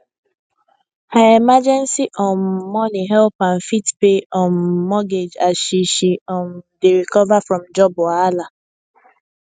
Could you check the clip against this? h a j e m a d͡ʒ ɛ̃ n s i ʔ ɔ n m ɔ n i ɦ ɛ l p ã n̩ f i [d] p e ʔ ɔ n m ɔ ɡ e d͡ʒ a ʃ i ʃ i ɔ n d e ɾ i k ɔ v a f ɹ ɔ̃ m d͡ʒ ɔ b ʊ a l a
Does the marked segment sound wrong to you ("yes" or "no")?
yes